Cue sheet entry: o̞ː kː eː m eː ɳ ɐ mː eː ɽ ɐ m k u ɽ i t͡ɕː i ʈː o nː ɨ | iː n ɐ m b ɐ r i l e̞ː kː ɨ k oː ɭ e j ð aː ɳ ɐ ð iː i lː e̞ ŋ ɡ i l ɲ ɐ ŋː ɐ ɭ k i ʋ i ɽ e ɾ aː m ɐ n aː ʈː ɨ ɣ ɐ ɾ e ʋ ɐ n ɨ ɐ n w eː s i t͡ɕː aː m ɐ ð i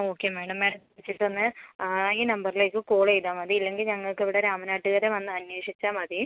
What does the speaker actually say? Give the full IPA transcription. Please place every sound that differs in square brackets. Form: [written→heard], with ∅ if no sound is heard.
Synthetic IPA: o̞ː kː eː m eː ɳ ɐ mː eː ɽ ɐ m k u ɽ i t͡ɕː i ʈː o nː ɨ | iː n ɐ m b ɐ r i l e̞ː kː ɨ k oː ɭ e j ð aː [ɳ→m] ɐ ð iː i lː e̞ ŋ ɡ i l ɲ ɐ ŋː ɐ ɭ k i ʋ i ɽ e ɾ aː m ɐ n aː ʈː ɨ ɣ ɐ ɾ e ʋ ɐ [n→nː] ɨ ɐ n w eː [s→ʂ] i t͡ɕː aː m ɐ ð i

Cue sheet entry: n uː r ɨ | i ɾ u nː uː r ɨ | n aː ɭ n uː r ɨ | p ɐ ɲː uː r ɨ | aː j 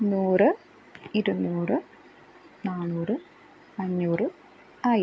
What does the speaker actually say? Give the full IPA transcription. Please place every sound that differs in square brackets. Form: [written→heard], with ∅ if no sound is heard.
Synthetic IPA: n uː r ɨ | i ɾ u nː uː r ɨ | n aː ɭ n uː r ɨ | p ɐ ɲː uː r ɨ | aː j

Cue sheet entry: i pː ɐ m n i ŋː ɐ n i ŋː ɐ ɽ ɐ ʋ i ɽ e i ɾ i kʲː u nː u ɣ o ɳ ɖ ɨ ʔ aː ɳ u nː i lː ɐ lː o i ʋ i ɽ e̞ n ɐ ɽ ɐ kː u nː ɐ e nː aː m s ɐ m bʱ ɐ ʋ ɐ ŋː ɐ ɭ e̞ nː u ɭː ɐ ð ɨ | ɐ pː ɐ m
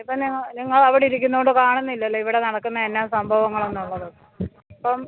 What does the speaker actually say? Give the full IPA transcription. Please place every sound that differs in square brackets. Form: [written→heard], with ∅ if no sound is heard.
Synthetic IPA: i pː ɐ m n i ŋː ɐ n i ŋː ɐ [ɽ→ɭ] ɐ ʋ i ɽ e i ɾ i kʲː u nː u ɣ o ɳ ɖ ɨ [ʔ→k] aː ɳ u nː i lː ɐ lː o i ʋ i ɽ e̞ n ɐ ɽ ɐ kː u nː ɐ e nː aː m s ɐ m bʱ ɐ ʋ ɐ ŋː ɐ ɭ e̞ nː u ɭː ɐ ð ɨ | ɐ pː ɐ m

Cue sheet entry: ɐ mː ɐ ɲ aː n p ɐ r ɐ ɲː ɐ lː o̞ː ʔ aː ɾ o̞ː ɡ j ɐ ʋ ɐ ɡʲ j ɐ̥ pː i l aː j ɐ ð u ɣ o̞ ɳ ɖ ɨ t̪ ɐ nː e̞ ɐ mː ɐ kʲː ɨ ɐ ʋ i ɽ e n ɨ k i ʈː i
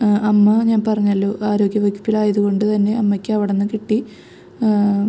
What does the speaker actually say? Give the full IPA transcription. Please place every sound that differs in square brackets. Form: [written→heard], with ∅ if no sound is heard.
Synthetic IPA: ɐ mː ɐ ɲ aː n p ɐ r ɐ ɲː ɐ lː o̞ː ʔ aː ɾ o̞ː ɡ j ɐ ʋ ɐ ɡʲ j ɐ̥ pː i l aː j ɐ ð u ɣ o̞ ɳ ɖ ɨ t̪ ɐ nː e̞ ɐ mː ɐ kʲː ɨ ɐ ʋ i ɽ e [n→nː] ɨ k i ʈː i

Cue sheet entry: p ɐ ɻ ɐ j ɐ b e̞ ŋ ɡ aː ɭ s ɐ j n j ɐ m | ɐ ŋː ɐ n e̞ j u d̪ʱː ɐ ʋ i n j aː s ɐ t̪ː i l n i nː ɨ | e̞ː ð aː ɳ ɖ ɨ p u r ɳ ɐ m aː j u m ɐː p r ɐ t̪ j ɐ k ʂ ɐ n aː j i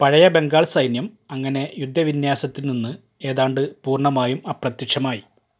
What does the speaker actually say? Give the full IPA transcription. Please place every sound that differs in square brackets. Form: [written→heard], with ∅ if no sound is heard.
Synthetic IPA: p ɐ ɻ ɐ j ɐ b e̞ ŋ ɡ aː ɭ s ɐ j n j ɐ m | ɐ ŋː ɐ n e̞ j u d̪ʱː ɐ ʋ i n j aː s ɐ t̪ː i l n i nː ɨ | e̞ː ð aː ɳ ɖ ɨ p [u→uː] r ɳ ɐ m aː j u m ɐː p r ɐ t̪ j ɐ k ʂ ɐ [n→m] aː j i

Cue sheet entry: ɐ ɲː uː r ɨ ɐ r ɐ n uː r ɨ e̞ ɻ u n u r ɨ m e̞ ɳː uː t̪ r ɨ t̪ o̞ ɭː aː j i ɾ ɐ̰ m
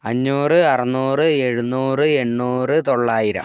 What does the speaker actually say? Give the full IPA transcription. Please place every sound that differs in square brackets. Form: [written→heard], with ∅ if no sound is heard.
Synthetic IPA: ɐ ɲː uː r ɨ ɐ r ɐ n uː r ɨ e̞ ɻ u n [u→uː] r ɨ [m→∅] e̞ ɳː uː [t̪→∅] r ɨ t̪ o̞ ɭː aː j i ɾ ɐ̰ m

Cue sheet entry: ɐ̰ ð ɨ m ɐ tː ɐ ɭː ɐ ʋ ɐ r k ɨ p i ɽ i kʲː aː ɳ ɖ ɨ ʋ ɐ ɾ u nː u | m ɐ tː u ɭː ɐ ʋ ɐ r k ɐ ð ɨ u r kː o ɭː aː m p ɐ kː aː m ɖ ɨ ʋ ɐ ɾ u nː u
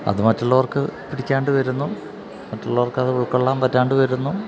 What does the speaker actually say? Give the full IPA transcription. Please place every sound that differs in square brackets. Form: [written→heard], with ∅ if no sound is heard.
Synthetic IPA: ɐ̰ ð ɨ m ɐ tː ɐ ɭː ɐ ʋ ɐ r k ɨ p i ɽ i kʲː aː ɳ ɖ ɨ ʋ ɐ ɾ u nː u | m ɐ tː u ɭː ɐ ʋ ɐ r k ɐ ð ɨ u [r→ɭ] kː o ɭː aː m p ɐ [kː→tː] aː [m→ɳ] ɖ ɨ ʋ ɐ ɾ u nː u

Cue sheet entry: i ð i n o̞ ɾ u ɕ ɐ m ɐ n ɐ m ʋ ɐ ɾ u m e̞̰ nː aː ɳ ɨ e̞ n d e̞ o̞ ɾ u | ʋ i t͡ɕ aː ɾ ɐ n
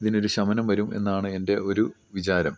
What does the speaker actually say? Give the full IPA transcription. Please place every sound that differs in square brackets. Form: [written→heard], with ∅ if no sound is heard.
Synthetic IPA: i ð i n o̞ ɾ u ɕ ɐ m ɐ n ɐ m ʋ ɐ ɾ u m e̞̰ nː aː ɳ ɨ e̞ n d e̞ o̞ ɾ u | ʋ i t͡ɕ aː ɾ ɐ [n→m]

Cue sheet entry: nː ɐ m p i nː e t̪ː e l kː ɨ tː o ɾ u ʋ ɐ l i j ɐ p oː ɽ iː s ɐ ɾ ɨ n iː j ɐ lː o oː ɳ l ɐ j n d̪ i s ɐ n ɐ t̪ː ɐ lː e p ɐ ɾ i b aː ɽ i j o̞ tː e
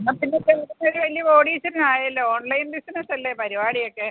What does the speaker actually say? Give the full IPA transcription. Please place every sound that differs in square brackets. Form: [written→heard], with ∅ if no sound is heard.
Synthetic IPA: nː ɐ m p i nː e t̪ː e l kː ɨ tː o ɾ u ʋ ɐ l i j ɐ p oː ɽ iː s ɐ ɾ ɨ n [iː→aː] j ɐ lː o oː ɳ l ɐ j n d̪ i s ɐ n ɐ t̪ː ɐ lː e p ɐ ɾ i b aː ɽ i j o̞ [tː→kː] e

